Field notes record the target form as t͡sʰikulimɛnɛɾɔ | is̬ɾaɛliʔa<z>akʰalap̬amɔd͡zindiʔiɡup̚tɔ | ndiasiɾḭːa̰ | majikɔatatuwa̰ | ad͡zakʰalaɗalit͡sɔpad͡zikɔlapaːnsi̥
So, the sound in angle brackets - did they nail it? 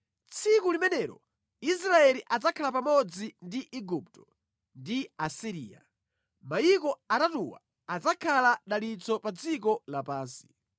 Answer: no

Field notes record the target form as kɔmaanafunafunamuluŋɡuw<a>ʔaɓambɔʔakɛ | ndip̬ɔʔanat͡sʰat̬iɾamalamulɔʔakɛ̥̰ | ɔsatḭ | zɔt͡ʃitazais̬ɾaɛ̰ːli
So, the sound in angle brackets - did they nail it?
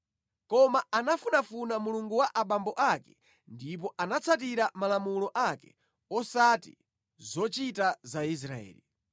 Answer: yes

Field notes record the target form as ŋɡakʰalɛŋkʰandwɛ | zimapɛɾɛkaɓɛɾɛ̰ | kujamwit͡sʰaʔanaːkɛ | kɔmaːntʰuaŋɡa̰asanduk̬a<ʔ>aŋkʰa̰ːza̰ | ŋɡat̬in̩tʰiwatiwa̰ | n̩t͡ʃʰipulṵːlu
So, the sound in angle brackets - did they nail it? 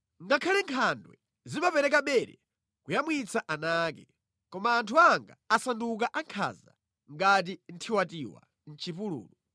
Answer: yes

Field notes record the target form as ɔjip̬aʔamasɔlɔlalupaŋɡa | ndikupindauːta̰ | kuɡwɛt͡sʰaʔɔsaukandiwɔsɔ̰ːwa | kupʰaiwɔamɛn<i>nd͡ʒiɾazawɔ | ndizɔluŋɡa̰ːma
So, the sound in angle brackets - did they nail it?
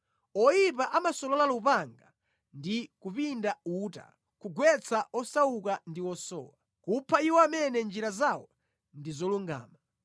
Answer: no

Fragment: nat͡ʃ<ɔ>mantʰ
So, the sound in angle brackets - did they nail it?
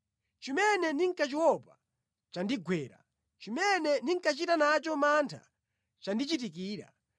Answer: yes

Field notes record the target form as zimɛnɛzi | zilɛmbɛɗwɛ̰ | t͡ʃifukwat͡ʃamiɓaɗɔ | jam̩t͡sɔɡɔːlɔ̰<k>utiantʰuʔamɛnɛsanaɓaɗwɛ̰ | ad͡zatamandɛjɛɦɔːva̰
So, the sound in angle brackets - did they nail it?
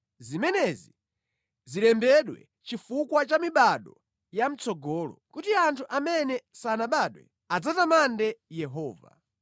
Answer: yes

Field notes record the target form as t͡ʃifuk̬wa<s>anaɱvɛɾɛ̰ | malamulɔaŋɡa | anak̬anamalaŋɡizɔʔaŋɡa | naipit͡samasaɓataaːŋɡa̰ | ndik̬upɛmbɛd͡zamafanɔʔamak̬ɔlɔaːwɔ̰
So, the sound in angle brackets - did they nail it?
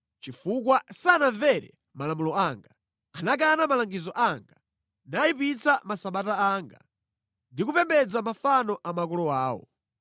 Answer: yes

